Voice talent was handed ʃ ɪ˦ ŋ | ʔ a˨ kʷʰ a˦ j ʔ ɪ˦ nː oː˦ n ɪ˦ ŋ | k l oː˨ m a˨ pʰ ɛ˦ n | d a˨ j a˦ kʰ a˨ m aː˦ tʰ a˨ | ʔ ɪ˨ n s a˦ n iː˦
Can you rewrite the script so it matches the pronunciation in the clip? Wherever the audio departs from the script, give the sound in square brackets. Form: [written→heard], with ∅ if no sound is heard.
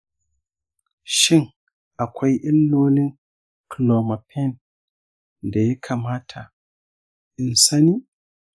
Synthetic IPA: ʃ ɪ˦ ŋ | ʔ a˨ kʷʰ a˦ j ʔ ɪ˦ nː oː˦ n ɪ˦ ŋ | k l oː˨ m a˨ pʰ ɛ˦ n | d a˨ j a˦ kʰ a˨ m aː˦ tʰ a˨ | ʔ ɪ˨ n s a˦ n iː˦